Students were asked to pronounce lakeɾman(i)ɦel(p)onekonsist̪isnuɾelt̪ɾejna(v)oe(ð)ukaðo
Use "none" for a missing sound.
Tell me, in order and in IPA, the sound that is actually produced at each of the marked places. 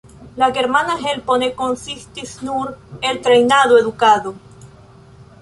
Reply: a, p, ð, ð

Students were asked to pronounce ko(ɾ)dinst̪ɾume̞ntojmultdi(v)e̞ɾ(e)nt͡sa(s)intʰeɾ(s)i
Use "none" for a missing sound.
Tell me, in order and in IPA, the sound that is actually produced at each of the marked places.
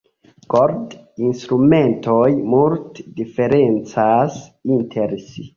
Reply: ɾ, f, e, s, s

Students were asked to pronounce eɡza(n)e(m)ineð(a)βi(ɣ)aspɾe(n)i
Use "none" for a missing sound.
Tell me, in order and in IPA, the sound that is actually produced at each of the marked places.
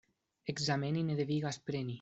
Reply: m, n, e, ɣ, n

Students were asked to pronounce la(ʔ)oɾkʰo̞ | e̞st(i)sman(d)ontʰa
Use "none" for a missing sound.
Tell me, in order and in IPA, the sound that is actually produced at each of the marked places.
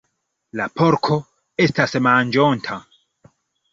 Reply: p, a, d͡ʒ

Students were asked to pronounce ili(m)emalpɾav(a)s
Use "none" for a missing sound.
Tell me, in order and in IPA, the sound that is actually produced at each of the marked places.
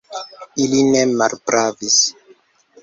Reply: n, i

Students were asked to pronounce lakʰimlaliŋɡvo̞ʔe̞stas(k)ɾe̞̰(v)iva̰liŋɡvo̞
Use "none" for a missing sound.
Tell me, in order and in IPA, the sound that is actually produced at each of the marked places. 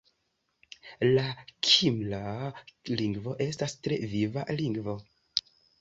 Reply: t, v

